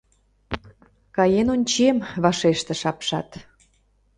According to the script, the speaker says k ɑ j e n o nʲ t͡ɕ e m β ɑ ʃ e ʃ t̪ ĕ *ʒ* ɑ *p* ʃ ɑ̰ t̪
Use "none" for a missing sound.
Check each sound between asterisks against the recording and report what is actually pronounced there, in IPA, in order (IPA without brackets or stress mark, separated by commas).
ʃ, p